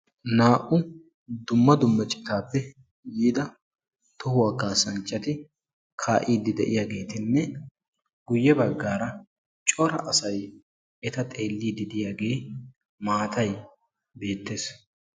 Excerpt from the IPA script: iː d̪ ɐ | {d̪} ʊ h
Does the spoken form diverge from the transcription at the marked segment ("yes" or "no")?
yes